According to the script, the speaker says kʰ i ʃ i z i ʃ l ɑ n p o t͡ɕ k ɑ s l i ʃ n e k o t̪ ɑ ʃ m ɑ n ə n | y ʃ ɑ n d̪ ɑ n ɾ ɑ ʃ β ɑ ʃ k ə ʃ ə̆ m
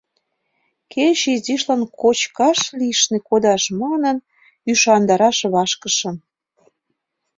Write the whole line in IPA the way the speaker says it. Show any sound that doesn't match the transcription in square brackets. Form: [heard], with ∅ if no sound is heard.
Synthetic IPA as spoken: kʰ [e] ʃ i z i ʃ l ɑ n [k] o t͡ɕ k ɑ [ʃ] l i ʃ n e k o [d̪] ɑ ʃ m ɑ n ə n | y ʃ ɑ n d̪ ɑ [∅] ɾ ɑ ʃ β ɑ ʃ k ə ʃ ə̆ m